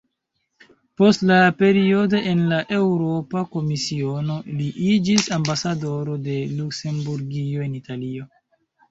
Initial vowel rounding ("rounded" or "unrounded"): rounded